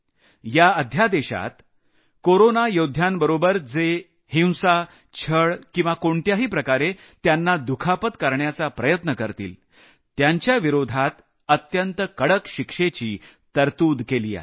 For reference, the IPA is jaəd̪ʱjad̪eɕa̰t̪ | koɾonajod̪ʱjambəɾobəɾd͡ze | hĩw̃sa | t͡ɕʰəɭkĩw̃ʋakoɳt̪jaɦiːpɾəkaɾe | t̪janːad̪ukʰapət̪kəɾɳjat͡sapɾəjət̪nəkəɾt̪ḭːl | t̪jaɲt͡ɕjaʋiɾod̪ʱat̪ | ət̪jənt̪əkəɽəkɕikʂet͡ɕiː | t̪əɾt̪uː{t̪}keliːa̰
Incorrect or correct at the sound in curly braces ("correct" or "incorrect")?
incorrect